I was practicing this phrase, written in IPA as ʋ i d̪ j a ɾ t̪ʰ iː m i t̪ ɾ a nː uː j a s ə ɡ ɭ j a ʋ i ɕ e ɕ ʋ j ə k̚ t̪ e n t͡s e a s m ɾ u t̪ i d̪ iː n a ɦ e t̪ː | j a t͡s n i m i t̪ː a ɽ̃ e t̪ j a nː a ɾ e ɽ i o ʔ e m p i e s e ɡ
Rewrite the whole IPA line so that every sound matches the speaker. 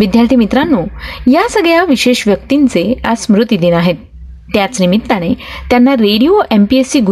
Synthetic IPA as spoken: ʋ i d̪ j a ɾ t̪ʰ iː m i t̪ ɾ a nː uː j a s ə ɡ ɭ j a ʋ i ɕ e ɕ ʋ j ə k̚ t̪ i n t͡s e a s m ɾ u t̪ i d̪ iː n a ɦ e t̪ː | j a t͡s n i m i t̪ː a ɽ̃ e t̪ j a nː a ɾ e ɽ i o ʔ e m p i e s i ɡ